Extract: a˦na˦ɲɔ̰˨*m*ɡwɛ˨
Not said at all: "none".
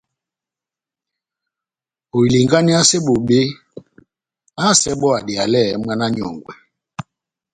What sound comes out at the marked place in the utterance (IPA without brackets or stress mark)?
ŋ